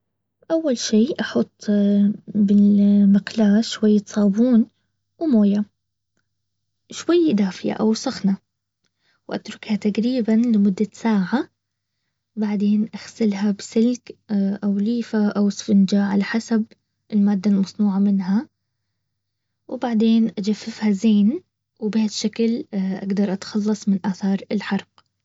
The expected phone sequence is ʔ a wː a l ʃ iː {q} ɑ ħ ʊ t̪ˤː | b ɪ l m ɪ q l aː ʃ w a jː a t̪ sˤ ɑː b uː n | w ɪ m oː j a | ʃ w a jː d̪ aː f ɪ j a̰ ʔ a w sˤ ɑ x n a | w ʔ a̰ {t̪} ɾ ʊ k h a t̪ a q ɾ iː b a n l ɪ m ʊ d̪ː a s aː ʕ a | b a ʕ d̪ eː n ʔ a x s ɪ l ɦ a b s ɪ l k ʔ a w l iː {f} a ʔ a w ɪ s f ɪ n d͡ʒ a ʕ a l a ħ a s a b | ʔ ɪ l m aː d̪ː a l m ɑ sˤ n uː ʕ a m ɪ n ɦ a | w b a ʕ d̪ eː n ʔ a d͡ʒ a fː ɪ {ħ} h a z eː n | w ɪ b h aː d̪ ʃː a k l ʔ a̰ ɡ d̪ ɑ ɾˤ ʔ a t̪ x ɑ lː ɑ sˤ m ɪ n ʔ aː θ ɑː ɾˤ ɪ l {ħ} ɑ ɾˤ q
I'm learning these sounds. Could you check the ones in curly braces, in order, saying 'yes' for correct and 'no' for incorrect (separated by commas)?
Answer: no, yes, yes, no, yes